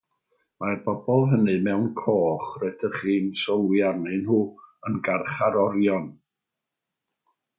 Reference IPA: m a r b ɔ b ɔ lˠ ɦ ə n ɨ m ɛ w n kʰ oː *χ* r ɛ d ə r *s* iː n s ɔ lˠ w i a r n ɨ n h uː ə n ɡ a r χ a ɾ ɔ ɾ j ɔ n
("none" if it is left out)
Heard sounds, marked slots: χ, χ

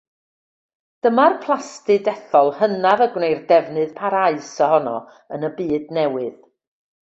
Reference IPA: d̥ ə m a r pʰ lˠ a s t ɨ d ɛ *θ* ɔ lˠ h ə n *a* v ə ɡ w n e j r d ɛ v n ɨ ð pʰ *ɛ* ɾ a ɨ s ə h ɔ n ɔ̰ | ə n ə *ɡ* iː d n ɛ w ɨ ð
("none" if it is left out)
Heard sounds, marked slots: θ, a, a, b

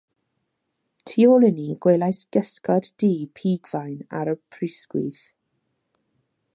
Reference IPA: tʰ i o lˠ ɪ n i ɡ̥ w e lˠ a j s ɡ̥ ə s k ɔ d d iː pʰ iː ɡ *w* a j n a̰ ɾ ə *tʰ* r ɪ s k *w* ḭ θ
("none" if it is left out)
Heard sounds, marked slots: v, pʰ, w

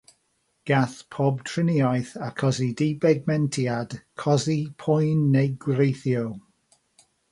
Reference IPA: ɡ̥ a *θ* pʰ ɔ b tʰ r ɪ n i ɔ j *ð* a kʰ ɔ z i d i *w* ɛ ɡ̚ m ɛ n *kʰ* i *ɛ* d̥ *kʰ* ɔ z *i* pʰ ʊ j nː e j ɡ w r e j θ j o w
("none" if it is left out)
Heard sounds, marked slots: θ, θ, b, tʰ, a, kʰ, i

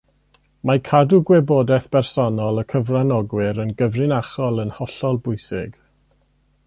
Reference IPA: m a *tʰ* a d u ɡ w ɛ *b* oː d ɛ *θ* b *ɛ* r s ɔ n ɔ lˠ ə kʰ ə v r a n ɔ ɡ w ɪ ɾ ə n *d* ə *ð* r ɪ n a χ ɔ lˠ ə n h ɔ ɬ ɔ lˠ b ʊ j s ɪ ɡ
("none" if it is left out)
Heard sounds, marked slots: kʰ, b, θ, ɛ, ɡ, v

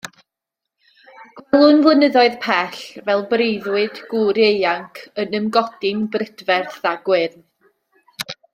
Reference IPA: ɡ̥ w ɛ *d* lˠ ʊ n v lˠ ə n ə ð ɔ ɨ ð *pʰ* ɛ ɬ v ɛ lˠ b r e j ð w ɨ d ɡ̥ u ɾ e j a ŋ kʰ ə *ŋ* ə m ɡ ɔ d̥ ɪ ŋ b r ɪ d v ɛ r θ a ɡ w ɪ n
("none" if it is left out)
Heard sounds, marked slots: none, pʰ, n

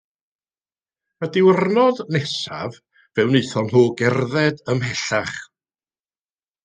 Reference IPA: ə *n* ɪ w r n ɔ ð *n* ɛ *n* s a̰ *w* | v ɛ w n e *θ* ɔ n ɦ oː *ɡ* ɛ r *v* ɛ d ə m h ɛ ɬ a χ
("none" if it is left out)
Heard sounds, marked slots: d, n, none, v, θ, ɡ, ð

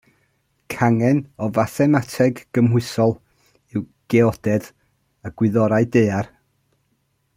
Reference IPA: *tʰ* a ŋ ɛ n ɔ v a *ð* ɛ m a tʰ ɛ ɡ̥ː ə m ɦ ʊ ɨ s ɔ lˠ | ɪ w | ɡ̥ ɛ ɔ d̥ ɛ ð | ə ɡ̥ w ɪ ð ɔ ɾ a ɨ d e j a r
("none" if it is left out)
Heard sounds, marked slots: kʰ, θ

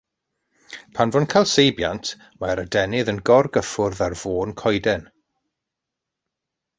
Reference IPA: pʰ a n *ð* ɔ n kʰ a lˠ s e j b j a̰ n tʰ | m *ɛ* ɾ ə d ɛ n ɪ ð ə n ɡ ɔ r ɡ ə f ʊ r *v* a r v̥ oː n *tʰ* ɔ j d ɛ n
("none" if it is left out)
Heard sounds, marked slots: v, a, ð, kʰ

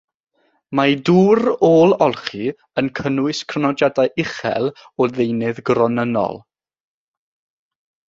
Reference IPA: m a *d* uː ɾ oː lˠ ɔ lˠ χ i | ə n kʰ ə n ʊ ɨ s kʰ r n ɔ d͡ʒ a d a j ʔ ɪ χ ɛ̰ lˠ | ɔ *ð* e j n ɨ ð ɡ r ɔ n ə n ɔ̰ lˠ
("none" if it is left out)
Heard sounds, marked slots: d, ð

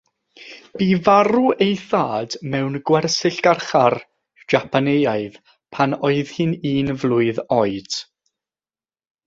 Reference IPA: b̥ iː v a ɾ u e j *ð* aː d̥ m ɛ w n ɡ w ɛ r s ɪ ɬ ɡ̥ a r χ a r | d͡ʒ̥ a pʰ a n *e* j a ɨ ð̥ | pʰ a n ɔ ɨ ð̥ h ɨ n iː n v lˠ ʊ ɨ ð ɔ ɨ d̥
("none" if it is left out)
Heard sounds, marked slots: θ, e

